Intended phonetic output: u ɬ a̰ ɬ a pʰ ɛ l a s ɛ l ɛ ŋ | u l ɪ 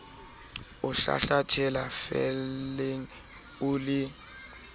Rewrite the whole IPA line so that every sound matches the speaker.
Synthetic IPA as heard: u ɬ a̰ ɬ a tʰ ɛ l a f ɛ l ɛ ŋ | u l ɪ

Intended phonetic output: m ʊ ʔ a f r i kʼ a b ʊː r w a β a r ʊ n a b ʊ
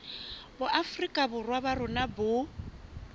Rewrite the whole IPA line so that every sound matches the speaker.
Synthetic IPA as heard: b ʊ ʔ a f r i kʼ a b ʊ r w a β a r ʊ n a b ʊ

